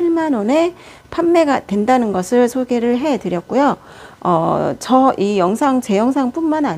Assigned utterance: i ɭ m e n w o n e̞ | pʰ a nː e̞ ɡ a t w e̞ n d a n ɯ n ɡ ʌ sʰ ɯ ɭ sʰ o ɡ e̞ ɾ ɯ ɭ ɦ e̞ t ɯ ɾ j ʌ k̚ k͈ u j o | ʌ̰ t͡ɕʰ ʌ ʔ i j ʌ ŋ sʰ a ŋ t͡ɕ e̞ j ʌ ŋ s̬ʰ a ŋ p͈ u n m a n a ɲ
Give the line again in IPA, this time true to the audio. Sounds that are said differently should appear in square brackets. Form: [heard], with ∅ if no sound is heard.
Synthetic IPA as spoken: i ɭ m [a] n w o n e̞ | pʰ a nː e̞ ɡ a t w e̞ n d a n ɯ n ɡ ʌ sʰ ɯ ɭ sʰ o ɡ e̞ ɾ ɯ ɭ ɦ e̞ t ɯ ɾ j ʌ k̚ k͈ u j o | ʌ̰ [t͡ɕ] ʌ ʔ i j ʌ ŋ sʰ a ŋ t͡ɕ e̞ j ʌ ŋ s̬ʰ a ŋ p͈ u n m a n a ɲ